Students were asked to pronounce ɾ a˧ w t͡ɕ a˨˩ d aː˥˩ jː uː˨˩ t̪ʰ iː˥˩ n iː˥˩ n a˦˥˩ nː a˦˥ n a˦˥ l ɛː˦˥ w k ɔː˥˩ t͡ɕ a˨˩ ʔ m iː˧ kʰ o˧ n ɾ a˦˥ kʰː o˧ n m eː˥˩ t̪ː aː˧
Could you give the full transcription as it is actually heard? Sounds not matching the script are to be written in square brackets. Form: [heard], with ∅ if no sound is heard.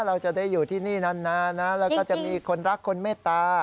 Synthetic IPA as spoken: ɾ a˧ w t͡ɕ a˨˩ d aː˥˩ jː uː˨˩ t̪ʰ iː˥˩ n iː˥˩ n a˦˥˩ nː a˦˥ n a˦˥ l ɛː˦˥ w k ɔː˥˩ t͡ɕ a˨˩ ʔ m iː˧ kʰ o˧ n ɾ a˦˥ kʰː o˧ n m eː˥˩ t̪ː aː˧